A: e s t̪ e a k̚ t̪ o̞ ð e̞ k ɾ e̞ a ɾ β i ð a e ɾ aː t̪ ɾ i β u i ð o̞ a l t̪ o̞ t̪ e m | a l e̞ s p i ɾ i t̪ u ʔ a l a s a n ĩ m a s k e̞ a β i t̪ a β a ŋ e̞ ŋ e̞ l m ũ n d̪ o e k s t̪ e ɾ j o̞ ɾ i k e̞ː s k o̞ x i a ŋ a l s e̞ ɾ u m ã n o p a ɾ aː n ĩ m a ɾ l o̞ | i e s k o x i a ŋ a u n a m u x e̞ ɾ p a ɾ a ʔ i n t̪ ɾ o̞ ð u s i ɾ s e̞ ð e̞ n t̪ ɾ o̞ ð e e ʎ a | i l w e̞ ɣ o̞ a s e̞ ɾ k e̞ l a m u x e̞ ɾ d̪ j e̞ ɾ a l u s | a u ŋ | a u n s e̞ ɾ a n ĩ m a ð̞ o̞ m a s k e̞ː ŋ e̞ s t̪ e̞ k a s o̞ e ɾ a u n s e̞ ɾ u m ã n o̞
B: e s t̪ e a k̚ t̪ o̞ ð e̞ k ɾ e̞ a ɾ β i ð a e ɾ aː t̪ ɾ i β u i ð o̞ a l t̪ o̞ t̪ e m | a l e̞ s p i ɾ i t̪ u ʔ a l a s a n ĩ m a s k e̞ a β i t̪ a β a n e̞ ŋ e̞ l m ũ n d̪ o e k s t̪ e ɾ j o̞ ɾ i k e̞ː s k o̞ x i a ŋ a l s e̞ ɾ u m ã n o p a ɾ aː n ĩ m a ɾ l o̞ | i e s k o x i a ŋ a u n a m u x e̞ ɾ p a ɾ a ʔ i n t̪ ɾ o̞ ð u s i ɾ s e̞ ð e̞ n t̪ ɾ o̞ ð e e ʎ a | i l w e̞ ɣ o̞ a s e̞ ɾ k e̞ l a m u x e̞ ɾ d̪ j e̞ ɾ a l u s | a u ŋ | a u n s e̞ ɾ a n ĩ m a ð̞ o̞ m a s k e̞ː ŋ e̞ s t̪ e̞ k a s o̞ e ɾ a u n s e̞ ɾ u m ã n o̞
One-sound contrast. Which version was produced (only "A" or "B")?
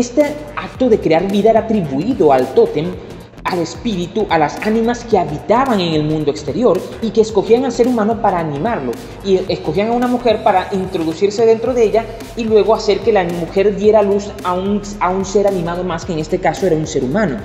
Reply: A